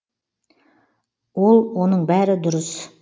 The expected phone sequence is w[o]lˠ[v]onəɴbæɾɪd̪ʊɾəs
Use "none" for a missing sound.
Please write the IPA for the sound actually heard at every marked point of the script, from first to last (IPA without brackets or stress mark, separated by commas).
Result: o, w